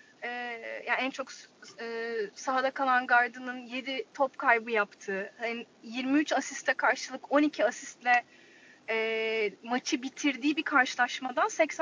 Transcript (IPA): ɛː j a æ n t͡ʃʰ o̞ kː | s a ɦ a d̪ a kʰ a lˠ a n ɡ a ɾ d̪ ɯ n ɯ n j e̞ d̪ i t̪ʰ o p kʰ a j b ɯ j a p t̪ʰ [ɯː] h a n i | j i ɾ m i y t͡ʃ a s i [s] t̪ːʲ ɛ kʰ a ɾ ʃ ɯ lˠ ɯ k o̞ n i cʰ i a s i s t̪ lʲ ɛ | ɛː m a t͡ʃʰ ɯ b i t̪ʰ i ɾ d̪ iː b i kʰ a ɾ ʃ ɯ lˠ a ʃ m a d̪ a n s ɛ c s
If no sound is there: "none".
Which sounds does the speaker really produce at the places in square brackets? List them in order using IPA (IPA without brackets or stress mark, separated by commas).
ɯː, s